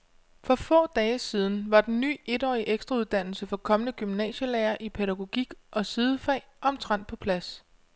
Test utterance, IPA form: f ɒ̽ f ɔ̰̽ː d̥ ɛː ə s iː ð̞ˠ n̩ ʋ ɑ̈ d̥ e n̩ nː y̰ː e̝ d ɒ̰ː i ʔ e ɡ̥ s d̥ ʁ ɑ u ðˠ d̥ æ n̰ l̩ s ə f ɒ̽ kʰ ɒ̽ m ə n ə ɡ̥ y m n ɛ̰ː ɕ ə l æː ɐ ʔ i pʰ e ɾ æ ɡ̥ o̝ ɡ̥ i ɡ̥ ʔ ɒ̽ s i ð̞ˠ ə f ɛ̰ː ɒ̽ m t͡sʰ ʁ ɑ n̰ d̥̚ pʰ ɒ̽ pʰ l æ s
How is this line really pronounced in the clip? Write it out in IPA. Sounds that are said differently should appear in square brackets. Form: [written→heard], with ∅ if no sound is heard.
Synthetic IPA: f ɒ̽ f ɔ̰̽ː d̥ ɛː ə s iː ð̞ˠ n̩ ʋ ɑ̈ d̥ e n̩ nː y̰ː e̝ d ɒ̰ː i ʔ e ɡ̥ s d̥ ʁ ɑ u ðˠ d̥ æ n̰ l̩ s ə f ɒ̽ kʰ ɒ̽ m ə n ə ɡ̥ y m n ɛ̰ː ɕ ə l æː ɐ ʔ i pʰ e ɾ æ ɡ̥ o̝ ɡ̥ i ɡ̥ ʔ ɒ̽ s i ð̞ˠ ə f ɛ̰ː ɒ̽ m t͡sʰ ʁ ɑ n̰ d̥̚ pʰ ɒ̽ pʰ l æ s